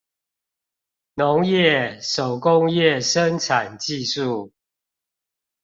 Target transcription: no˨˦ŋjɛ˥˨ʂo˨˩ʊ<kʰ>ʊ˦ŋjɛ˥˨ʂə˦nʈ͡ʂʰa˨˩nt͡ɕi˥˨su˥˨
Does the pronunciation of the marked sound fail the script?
yes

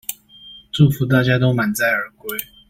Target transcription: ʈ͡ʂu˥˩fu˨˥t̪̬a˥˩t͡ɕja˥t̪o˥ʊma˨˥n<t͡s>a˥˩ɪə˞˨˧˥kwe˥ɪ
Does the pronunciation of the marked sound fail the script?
no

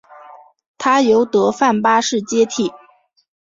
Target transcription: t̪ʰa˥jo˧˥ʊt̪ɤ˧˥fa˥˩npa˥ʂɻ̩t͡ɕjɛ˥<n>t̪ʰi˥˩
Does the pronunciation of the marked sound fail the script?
yes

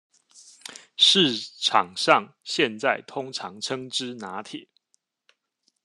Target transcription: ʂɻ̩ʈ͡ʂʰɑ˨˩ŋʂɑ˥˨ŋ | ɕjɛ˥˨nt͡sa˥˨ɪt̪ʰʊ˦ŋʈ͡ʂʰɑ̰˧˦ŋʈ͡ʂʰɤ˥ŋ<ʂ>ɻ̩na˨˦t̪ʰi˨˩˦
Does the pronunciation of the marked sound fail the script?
yes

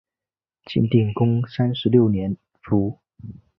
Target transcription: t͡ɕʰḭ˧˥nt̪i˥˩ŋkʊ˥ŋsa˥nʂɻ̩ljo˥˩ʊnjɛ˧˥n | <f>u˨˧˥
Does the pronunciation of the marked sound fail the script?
no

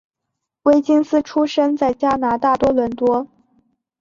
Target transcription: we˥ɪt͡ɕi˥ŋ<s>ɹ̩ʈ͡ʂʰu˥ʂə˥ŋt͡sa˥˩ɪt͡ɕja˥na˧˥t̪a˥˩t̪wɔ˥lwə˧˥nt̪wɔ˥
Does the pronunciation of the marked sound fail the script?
no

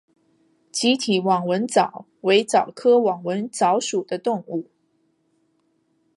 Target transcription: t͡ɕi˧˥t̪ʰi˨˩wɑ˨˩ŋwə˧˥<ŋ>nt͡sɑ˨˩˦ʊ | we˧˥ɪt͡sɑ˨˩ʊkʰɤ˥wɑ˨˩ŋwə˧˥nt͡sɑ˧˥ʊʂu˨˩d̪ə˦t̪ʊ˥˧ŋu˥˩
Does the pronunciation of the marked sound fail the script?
yes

